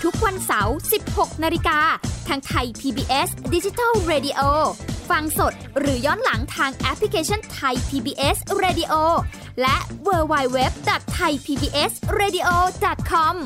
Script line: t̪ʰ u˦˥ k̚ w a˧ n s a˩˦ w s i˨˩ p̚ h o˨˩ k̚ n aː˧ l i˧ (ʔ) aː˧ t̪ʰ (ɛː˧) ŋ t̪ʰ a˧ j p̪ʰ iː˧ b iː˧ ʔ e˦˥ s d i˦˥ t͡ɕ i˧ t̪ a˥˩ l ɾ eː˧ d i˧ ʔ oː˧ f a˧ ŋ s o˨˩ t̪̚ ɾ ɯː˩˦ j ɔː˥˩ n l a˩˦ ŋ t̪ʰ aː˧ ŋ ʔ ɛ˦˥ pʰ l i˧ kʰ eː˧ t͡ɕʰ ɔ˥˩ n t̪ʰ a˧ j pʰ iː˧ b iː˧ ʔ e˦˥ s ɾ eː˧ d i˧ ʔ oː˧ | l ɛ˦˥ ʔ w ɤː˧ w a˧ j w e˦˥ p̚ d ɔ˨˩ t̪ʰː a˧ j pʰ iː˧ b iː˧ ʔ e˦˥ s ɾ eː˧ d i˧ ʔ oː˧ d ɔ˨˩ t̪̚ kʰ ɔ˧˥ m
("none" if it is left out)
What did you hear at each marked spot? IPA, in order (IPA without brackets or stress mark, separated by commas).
k, aː˧